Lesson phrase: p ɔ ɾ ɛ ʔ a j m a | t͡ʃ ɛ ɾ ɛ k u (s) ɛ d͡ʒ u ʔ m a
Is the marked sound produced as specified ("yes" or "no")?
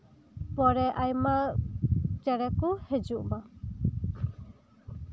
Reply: no